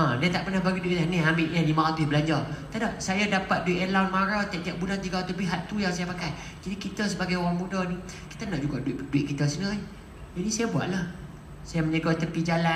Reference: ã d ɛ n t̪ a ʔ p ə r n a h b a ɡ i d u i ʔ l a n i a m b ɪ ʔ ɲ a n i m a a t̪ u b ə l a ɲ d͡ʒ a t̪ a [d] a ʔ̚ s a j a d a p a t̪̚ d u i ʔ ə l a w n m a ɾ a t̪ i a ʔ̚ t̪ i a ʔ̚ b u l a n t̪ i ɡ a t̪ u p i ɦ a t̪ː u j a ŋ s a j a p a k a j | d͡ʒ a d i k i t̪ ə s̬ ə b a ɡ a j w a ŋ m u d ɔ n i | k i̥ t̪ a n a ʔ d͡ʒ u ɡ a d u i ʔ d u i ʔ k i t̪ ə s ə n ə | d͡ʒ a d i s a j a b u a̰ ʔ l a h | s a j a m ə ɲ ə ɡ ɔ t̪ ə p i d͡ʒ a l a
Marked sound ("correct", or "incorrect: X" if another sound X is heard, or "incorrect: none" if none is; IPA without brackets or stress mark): correct